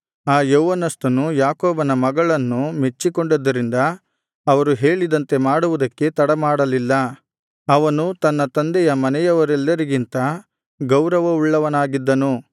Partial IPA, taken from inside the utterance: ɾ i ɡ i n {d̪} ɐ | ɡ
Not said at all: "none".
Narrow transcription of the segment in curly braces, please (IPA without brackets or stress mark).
t̪